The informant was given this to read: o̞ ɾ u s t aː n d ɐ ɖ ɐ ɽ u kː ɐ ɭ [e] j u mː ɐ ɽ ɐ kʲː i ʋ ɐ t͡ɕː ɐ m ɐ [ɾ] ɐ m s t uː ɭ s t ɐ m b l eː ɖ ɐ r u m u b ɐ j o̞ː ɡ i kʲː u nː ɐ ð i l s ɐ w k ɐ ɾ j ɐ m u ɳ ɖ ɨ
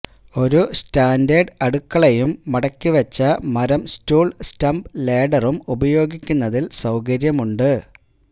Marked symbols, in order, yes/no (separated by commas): yes, yes